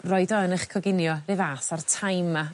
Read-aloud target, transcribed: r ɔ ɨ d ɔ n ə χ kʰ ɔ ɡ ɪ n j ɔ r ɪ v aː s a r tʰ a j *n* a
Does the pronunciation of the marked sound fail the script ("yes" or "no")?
yes